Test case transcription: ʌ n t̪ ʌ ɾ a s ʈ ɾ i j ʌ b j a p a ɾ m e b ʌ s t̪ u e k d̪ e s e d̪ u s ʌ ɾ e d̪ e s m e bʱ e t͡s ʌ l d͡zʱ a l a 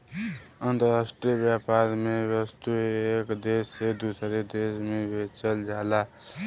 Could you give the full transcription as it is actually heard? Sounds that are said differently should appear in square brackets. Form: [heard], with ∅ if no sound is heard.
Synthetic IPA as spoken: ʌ n t̪ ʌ ɾ a s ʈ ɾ i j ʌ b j a p a ɾ m e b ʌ s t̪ u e k d̪ e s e d̪ u s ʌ ɾ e d̪ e s m e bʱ e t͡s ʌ l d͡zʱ a l a